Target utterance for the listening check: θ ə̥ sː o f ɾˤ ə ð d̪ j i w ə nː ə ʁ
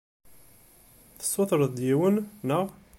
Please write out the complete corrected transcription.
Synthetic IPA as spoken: θ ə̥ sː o θ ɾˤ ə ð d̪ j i w ə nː ə ʁ